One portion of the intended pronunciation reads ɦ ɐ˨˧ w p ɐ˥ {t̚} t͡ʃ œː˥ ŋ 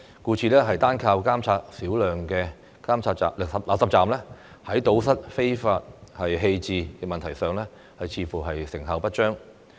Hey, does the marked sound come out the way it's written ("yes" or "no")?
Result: yes